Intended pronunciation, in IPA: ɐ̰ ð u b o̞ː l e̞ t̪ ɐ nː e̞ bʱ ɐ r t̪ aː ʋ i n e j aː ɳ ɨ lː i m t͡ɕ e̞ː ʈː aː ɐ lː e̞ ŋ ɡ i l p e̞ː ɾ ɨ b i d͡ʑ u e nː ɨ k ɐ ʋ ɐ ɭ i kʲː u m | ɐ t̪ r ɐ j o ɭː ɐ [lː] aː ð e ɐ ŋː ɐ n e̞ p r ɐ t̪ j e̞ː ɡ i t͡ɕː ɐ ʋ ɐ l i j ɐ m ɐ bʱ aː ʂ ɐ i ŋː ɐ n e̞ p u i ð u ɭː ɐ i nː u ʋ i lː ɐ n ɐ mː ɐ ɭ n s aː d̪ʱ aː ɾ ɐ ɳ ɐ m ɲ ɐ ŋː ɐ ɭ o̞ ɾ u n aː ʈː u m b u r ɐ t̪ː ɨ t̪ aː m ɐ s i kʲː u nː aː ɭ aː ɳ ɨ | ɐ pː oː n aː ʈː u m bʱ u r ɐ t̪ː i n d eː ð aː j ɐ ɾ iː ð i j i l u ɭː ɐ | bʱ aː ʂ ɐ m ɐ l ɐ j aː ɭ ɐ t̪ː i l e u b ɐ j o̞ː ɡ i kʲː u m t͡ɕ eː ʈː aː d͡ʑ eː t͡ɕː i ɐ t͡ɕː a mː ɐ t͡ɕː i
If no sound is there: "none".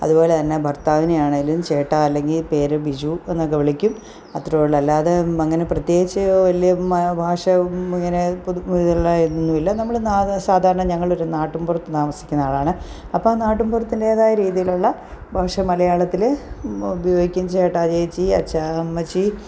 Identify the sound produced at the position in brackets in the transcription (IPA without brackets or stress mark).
lː